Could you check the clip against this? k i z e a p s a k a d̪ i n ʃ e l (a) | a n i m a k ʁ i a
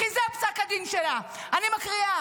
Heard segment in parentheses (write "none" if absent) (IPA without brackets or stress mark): a